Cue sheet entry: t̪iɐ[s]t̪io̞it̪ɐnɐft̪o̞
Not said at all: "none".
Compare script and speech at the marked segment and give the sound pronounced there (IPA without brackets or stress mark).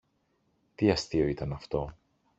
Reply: s